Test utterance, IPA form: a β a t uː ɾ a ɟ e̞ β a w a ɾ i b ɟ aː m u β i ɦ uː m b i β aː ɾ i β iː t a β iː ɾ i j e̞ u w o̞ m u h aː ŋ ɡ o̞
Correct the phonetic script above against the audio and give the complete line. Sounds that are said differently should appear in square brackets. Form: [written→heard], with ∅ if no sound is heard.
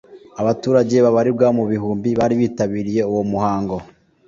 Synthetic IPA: a β a t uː ɾ a ɟ e̞ β a [w→β] a ɾ i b [ɟ→ɡ] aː m u β i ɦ uː m b i β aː ɾ i β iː t a β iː ɾ i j e̞ u w o̞ m u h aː ŋ ɡ o̞